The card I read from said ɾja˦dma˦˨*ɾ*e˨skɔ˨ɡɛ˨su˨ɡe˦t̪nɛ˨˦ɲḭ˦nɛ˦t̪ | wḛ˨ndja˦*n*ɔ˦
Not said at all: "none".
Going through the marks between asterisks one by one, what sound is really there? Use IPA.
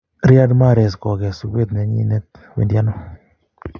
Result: ɾ, n

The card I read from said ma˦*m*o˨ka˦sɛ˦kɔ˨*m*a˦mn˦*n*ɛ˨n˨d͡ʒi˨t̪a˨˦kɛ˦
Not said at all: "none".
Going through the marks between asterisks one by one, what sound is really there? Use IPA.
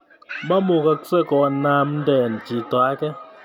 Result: m, n, d

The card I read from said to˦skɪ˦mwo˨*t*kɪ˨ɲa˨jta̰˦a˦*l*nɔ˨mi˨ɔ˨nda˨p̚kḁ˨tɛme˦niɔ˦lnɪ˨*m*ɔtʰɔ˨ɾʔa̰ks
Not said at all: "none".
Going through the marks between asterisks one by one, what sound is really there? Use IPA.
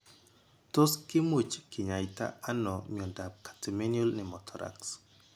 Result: t͡ʃ, none, m

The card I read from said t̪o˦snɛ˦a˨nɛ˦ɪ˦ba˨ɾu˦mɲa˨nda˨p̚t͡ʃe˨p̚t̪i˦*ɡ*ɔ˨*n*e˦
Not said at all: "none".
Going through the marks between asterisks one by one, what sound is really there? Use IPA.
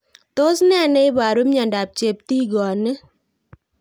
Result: ɡ, n

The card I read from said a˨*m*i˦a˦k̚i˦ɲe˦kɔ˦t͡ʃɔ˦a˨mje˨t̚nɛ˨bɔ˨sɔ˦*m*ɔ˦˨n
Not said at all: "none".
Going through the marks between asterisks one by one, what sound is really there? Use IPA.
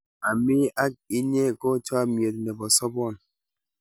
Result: m, b

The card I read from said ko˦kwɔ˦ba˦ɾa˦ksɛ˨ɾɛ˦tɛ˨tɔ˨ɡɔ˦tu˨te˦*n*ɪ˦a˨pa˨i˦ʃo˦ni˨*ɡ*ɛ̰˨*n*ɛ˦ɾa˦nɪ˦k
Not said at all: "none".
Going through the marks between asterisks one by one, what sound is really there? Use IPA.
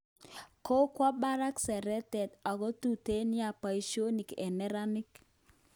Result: n, k, n

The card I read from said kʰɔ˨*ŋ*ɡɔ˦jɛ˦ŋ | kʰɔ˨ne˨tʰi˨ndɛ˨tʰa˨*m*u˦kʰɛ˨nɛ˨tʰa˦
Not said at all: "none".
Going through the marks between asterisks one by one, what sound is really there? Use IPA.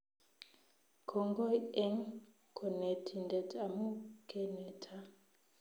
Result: ŋ, m

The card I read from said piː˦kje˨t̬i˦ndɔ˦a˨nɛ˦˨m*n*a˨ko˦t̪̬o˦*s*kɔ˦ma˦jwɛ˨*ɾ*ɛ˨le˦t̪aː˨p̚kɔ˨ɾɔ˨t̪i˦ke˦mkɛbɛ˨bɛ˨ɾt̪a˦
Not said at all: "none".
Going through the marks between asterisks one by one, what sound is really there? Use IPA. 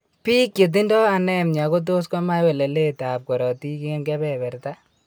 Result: ɲ, s, l

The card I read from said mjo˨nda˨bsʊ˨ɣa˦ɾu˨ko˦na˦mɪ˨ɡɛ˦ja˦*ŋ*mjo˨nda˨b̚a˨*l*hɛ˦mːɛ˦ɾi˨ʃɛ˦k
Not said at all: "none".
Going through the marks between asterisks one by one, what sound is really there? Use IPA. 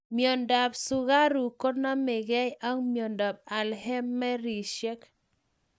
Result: ŋ, l

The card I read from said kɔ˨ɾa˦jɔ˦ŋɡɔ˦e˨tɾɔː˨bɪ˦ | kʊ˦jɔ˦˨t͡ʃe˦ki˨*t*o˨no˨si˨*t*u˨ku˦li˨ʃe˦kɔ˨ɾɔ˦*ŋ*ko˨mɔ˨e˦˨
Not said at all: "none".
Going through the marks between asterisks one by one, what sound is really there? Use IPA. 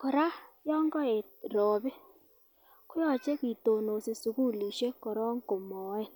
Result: t, s, ŋ

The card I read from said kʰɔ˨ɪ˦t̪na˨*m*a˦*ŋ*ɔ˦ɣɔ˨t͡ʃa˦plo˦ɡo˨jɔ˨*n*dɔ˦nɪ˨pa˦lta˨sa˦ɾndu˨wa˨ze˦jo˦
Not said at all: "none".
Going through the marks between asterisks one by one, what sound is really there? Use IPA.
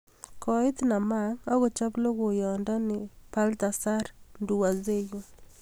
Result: m, ŋ, n

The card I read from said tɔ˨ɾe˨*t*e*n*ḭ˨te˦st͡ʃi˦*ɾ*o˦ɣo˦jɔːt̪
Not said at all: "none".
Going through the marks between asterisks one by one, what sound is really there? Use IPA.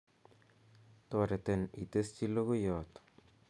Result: t, n, l

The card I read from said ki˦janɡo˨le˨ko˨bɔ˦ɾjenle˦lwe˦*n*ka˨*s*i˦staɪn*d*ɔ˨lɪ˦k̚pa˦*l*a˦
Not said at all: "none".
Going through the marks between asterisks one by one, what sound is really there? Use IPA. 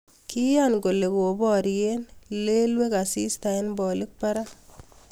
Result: none, s, b, ɾ

